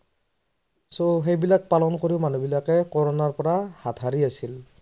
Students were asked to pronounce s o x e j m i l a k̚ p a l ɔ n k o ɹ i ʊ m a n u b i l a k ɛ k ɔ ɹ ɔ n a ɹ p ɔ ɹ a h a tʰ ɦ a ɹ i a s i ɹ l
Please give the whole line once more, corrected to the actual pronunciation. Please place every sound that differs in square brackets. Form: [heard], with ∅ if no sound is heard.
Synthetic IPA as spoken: s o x e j [b] i l a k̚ p a l ɔ n k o ɹ i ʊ m a n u b i l a k ɛ k ɔ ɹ ɔ n a ɹ p ɔ ɹ a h a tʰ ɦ a ɹ i a s i [∅] l